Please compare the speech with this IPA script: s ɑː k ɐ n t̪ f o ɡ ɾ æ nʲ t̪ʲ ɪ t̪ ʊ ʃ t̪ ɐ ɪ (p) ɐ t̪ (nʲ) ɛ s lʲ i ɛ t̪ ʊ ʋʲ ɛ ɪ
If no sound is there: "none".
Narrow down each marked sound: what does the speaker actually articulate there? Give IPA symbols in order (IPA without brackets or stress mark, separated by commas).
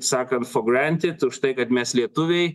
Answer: k, mʲ